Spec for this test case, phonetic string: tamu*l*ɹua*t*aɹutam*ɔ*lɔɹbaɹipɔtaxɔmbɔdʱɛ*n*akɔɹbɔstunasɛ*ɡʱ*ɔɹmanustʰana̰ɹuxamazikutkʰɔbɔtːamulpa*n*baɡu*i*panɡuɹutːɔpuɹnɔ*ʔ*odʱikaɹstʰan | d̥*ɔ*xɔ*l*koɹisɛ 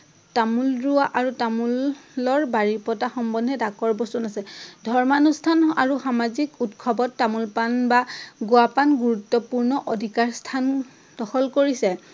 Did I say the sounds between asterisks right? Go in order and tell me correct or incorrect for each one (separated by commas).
correct, incorrect, incorrect, incorrect, incorrect, correct, incorrect, correct, correct, correct